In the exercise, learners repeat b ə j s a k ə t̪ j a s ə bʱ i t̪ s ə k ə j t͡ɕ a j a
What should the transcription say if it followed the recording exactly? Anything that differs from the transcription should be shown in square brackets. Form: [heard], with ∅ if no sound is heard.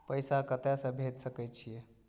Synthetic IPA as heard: [p] ə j s a k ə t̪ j a s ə bʱ [e] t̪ s ə k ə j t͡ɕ [i] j [e]